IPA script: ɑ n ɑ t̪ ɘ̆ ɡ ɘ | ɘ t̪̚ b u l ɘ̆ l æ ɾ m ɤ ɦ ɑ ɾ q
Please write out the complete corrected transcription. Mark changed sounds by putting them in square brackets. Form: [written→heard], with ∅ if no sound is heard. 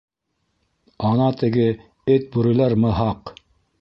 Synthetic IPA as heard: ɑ n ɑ t̪ ɘ̆ ɡ ɘ | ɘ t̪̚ b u [l→ɾ] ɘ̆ l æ ɾ m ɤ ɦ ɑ [ɾ→∅] q